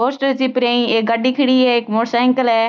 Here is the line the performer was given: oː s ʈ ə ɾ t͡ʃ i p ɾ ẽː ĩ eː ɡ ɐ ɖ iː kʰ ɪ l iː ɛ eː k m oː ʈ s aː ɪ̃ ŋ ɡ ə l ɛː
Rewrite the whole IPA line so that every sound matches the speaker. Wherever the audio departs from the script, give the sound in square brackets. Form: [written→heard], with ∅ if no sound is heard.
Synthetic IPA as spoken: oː s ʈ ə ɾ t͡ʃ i p ɾ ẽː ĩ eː ɡ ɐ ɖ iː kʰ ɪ [l→ɽ] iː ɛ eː k m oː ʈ s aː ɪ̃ ŋ [ɡ→k] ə l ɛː